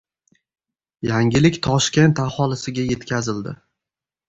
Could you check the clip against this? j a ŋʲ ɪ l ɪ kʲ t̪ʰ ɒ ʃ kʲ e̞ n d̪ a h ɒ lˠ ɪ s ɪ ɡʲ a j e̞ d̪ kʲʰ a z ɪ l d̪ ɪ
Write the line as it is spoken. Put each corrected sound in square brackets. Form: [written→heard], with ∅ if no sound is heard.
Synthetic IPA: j a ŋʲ ɪ l ɪ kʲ t̪ʰ ɒ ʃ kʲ e̞ n [d̪→t̪] a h ɒ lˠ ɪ s ɪ ɡʲ a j e̞ [d̪→t̪] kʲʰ a z ɪ l d̪ ɪ